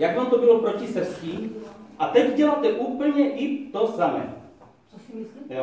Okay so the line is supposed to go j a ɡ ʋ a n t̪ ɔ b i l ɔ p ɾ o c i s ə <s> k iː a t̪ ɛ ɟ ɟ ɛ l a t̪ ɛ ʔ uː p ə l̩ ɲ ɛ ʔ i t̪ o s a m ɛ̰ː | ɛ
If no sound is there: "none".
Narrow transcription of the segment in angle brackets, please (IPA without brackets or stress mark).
s